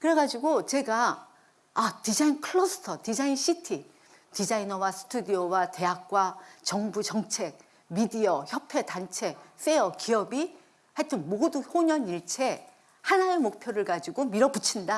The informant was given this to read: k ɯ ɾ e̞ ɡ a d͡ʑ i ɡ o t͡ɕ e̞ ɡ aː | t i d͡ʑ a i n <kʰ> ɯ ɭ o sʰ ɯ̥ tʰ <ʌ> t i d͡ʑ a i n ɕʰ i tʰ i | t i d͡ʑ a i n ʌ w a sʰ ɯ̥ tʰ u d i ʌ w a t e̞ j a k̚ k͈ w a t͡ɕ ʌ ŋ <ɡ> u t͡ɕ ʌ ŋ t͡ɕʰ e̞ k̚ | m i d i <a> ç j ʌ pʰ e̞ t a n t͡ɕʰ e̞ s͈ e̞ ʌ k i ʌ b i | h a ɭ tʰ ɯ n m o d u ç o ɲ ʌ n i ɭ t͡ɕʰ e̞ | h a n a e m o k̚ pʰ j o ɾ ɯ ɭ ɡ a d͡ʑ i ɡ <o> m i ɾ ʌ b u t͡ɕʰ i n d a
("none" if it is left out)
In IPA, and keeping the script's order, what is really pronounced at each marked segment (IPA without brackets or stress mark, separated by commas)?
kʰ, ʌ, b, ʌ, o